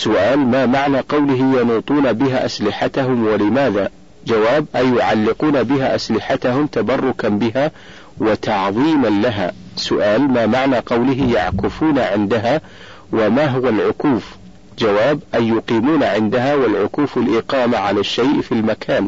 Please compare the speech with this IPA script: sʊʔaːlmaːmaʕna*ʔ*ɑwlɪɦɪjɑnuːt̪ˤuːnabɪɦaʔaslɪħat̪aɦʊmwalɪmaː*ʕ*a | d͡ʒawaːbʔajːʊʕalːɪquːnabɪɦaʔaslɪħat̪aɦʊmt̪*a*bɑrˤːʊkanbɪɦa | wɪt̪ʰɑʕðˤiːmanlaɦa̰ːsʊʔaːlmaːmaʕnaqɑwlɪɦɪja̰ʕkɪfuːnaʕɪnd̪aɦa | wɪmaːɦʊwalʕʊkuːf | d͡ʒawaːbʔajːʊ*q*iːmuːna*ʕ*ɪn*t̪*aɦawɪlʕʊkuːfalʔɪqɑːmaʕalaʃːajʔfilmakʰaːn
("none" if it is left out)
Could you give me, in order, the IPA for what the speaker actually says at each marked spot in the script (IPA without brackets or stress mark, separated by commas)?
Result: q, ð, a, q, ʕ, d̪